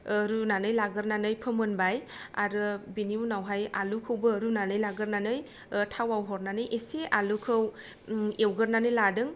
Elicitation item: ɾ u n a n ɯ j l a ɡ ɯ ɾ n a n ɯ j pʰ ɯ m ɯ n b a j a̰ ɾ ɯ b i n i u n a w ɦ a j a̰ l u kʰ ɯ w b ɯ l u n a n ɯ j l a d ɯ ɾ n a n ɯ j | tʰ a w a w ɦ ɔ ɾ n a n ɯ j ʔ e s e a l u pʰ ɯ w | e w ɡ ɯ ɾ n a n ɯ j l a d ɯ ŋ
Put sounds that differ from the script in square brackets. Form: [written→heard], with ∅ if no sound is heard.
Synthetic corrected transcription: ɾ u n a n ɯ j l a ɡ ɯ ɾ n a n ɯ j pʰ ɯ m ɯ n b a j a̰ ɾ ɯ b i n i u n a w ɦ a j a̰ l u kʰ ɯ w b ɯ [l→ɾ] u n a n ɯ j l a [d→ɡ] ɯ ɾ n a n ɯ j | tʰ a w a w ɦ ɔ ɾ n a n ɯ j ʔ e s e a l u [pʰ→kʰ] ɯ w | e w ɡ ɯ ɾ n a n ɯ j l a d ɯ ŋ